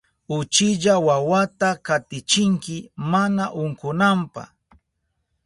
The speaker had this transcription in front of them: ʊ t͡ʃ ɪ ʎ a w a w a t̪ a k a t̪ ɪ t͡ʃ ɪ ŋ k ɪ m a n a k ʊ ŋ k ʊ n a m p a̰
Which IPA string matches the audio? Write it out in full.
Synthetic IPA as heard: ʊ t͡ʃ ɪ ʎ a w a w a t̪ a k a t̪ ɪ t͡ʃ ɪ ŋ k ɪ m a n a ʔ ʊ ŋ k ʊ n a m p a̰